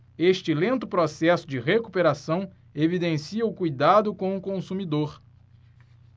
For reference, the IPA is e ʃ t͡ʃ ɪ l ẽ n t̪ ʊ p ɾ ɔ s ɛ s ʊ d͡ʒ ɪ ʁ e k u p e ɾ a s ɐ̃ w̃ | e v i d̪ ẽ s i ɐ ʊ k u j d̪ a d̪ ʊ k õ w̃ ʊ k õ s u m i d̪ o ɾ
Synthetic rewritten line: e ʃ t͡ʃ ɪ l ẽ n t̪ ʊ p ɾ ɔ s ɛ s ʊ d͡ʒ ɪ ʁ e k u p e ɾ a s ɐ̃ w̃ | e v i d̪ ẽ s i ɐ ʊ k u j d̪ a d̪ ʊ k õ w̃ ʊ k õ s u m i d̪ o ɾ